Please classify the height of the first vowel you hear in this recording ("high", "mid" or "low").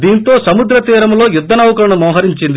high